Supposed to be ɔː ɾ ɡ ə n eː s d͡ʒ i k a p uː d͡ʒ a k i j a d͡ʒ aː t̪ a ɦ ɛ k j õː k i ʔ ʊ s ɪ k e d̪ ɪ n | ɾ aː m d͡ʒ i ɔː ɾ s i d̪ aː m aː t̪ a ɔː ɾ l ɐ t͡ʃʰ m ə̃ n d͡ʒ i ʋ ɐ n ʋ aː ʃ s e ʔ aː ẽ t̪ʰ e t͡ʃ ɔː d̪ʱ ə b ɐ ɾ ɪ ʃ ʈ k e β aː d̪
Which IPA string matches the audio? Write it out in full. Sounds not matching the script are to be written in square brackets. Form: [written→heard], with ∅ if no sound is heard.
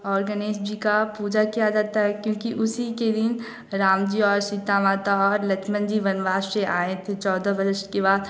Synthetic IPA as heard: ɔː ɾ ɡ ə n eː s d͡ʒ i k a p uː d͡ʒ a k i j a d͡ʒ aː t̪ a ɦ ɛ k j õː k i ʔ ʊ s [ɪ→i] k e d̪ ɪ n | ɾ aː m d͡ʒ i ɔː ɾ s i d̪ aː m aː t̪ a ɔː ɾ l ɐ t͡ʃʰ m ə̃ n d͡ʒ i ʋ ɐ n ʋ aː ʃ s e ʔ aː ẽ t̪ʰ e t͡ʃ ɔː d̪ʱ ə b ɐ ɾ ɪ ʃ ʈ k e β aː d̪